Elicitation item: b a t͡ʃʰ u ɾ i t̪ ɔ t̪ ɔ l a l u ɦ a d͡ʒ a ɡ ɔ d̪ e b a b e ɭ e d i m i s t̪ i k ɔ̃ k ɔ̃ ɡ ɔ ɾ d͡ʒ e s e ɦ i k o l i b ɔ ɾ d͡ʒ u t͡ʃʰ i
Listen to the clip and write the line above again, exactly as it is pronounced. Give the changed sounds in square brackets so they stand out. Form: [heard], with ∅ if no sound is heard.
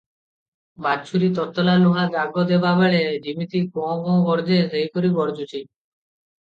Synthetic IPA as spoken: b a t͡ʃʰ u ɾ i t̪ ɔ t̪ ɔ l a l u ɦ a d͡ʒ a ɡ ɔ d̪ e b a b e ɭ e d i m i [∅] t̪ i k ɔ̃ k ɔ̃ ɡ ɔ ɾ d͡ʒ e s e ɦ i k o [ɾ] i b ɔ ɾ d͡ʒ u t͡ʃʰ i